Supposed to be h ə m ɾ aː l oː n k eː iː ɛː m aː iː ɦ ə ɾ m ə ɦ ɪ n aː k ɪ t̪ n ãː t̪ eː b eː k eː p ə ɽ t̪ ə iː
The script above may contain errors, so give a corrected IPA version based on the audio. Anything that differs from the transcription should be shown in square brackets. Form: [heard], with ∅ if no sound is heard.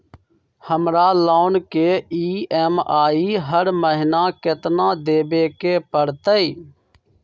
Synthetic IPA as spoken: h ə m ɾ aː l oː n k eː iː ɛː m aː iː ɦ ə ɾ m ə ɦ ɪ n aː k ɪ t̪ n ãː [d̪] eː b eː k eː p ə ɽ t̪ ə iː